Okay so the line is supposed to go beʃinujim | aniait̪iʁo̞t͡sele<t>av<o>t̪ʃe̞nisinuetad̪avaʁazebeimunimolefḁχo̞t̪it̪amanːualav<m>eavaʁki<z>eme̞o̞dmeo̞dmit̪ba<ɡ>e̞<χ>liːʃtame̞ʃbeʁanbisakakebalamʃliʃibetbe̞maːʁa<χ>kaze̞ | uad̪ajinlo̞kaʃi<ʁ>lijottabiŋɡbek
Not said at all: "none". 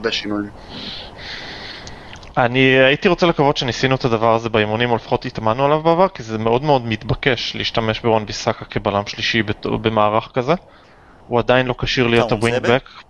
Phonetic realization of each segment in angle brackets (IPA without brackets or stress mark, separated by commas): k, o, b, z, k, ʃ, χ, ʁ